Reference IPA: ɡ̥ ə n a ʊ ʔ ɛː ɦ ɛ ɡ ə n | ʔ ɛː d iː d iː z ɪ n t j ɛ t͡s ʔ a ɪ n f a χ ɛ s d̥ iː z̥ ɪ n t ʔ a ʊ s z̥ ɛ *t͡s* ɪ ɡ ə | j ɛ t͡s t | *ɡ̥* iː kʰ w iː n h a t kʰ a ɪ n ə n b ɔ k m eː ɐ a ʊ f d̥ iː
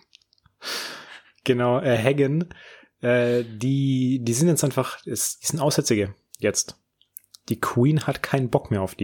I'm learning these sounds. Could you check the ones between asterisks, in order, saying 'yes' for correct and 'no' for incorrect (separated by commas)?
yes, no